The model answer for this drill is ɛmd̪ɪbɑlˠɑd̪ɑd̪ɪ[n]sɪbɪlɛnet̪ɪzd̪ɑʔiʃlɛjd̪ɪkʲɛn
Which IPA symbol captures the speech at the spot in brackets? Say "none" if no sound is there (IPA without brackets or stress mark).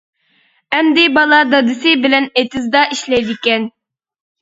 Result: none